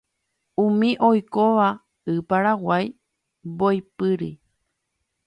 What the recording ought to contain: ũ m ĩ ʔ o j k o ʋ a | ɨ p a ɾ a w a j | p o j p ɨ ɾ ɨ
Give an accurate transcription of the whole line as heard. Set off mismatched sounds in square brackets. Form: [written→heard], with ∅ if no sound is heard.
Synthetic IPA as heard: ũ m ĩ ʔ o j k o ʋ a | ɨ p a ɾ a w a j | [p→b] o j p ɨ ɾ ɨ

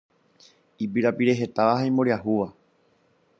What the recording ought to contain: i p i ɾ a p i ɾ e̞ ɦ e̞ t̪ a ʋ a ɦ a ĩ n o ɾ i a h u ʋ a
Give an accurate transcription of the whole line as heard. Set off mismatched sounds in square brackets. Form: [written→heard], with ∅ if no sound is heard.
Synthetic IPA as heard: i p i ɾ a p i ɾ e̞ ɦ e̞ t̪ a ʋ a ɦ a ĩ [n→m] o ɾ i a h u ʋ a

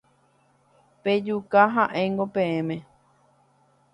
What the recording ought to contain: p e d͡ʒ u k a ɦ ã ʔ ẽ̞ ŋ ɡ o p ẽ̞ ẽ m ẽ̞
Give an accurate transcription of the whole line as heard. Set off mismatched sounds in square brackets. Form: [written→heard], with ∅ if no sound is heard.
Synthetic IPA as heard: p e d͡ʒ u k a ɦ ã ʔ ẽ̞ ŋ ɡ o p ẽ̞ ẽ m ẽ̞

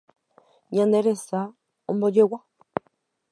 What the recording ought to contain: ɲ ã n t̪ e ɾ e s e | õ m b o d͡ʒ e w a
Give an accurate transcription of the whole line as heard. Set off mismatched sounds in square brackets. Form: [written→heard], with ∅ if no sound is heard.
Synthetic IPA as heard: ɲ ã n [t̪→d̪] e ɾ e s [e→a] | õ m b o d͡ʒ e w a

